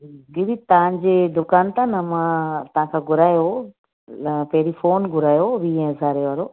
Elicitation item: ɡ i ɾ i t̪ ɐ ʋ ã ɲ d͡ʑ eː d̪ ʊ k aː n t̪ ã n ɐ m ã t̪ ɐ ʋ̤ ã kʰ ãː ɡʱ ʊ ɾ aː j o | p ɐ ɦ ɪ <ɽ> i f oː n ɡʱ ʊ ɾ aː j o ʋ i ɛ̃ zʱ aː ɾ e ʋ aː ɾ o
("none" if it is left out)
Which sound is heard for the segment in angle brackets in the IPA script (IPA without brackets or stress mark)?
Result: ɾ